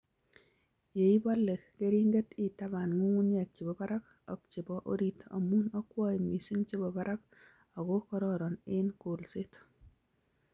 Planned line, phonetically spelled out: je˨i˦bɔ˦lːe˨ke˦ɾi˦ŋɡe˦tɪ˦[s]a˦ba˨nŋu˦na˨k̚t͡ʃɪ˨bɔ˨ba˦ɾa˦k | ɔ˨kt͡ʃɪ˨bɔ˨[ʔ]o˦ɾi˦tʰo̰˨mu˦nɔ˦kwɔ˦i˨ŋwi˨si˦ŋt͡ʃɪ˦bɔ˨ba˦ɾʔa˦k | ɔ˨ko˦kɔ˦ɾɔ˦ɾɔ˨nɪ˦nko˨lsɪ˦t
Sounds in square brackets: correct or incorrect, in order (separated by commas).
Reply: incorrect, correct